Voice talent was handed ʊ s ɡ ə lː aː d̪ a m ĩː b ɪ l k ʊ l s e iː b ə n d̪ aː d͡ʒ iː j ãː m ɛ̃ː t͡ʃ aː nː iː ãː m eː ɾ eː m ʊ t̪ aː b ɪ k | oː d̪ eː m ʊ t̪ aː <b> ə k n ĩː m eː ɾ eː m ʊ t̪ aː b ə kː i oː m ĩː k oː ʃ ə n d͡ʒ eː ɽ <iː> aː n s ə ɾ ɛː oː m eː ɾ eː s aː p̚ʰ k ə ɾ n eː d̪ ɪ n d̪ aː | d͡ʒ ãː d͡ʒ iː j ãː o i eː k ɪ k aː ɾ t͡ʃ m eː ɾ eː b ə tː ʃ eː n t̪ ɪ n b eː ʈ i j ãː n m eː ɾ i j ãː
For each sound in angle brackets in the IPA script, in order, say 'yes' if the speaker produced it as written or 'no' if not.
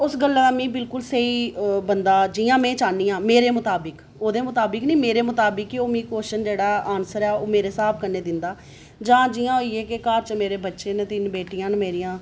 yes, no

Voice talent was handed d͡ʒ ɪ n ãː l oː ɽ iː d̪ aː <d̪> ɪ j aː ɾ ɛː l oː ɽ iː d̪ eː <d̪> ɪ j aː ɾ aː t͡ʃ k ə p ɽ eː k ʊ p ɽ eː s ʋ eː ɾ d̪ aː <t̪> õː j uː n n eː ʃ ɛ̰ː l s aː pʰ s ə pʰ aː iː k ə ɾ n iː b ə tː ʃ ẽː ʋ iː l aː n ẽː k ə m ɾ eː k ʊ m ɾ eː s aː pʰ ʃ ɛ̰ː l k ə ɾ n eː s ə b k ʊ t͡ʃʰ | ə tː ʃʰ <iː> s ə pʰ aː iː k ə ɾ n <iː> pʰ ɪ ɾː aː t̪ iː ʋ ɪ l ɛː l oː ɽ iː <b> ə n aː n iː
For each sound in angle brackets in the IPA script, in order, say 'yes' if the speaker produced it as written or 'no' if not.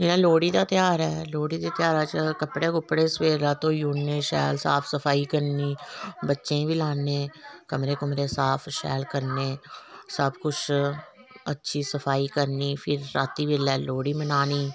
no, no, yes, yes, yes, no

